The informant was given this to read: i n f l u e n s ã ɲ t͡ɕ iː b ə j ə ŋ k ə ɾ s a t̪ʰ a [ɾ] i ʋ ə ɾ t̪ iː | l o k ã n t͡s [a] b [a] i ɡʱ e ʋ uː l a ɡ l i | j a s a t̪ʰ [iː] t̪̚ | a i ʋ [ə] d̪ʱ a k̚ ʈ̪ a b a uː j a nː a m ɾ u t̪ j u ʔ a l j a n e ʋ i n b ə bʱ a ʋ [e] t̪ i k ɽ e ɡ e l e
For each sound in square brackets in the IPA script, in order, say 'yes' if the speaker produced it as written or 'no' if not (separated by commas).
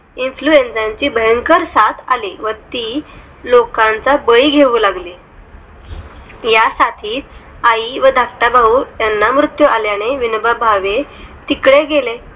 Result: no, yes, no, yes, yes, yes